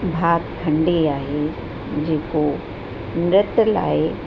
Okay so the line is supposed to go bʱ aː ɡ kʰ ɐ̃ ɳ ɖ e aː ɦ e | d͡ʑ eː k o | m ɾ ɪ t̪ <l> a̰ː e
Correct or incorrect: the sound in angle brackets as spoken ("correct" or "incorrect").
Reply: correct